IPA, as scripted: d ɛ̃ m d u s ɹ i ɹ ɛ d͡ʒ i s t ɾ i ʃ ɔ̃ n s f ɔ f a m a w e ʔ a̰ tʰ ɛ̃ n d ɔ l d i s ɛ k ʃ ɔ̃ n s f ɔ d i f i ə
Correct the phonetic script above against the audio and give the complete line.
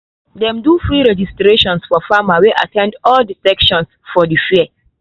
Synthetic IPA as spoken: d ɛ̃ m d u f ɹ i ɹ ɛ d͡ʒ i s t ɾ e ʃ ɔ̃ n s f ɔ f a m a w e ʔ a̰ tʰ ɛ̃ n d ɔ l d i s ɛ k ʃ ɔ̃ n s f ɔ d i f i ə